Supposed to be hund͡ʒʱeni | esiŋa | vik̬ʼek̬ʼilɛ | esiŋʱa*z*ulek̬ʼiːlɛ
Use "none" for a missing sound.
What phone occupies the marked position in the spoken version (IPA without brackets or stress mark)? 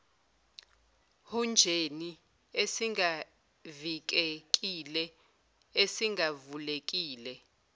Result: v